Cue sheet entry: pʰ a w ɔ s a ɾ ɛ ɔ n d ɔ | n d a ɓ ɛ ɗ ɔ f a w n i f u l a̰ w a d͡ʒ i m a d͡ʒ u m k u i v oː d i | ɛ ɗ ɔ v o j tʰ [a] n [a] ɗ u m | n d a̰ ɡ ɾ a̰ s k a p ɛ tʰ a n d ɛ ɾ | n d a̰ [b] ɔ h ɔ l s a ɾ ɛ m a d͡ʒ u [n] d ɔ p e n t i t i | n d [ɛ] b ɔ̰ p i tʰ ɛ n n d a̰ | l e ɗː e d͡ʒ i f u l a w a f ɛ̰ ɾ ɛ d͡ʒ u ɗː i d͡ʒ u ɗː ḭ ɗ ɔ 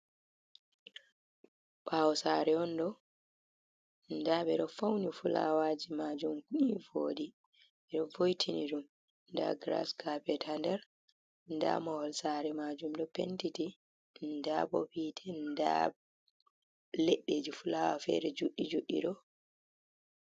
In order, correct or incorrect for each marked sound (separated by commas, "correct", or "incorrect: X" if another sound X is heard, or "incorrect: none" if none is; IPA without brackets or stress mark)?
incorrect: i, incorrect: i, incorrect: m, incorrect: m, incorrect: a